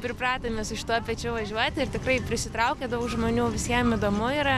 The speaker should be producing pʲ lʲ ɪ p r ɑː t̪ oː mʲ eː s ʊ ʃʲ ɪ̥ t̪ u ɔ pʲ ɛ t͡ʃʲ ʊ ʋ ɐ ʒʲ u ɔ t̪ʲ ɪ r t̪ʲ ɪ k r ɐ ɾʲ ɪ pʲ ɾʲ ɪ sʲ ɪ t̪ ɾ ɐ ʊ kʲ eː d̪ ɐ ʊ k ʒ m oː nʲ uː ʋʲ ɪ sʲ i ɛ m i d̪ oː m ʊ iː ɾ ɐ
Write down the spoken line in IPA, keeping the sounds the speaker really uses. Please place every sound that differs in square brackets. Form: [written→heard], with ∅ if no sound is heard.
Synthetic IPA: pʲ [lʲ→ɾʲ] ɪ p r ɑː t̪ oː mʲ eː s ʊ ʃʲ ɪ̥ t̪ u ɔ pʲ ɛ t͡ʃʲ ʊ ʋ ɐ ʒʲ u ɔ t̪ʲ ɪ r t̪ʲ ɪ k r ɐ [ɾʲ→∅] ɪ pʲ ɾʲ ɪ sʲ ɪ t̪ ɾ ɐ ʊ kʲ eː d̪ ɐ ʊ k ʒ m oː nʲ uː ʋʲ ɪ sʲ i ɛ m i d̪ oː m ʊ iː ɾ ɐ